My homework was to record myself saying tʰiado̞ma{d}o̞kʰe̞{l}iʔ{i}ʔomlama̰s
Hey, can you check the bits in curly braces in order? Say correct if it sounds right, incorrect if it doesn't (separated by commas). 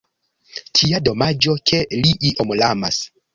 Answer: incorrect, correct, correct